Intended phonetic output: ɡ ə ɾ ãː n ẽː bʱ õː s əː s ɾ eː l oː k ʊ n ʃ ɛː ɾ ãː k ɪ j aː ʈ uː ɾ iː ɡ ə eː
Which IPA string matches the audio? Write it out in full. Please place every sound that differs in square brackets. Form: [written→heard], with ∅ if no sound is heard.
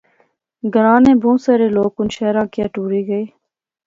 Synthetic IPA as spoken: ɡ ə ɾ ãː n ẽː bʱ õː s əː [s→∅] ɾ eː l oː k ʊ n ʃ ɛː ɾ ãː k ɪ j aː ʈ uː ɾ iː ɡ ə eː